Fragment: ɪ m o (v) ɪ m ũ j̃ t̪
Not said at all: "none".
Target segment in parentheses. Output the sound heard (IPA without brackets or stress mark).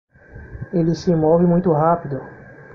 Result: v